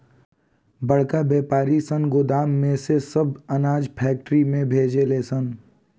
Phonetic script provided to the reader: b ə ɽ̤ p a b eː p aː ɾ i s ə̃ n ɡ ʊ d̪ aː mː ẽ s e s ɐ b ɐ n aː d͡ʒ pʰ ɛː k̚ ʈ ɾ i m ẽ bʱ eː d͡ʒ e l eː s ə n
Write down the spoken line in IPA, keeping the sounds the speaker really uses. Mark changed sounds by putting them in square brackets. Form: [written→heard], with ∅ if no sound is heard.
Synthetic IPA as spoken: b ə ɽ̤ [p→k] a b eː p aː ɾ i s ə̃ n ɡ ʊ d̪ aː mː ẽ s e s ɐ b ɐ n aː d͡ʒ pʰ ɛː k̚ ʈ ɾ i m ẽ bʱ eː d͡ʒ e l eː s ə n